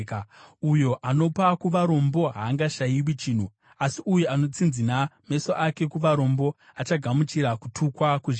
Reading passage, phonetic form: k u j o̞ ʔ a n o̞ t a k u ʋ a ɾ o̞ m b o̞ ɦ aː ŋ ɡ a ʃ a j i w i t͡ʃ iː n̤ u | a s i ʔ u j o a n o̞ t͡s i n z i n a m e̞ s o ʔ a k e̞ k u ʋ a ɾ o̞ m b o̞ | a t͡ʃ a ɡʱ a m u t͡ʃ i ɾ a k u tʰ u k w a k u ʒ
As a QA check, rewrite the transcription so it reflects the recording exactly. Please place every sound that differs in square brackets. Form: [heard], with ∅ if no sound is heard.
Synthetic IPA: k u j o̞ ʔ a n o̞ [p] a k u ʋ a ɾ o̞ m b o̞ ɦ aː ŋ ɡ a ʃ a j i w i t͡ʃ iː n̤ u | a s i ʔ u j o a n o̞ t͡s i n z i n a m e̞ s o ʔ a k e̞ k u ʋ a ɾ o̞ m b o̞ | a t͡ʃ a ɡʱ a m u t͡ʃ i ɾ a k u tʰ u k w a k u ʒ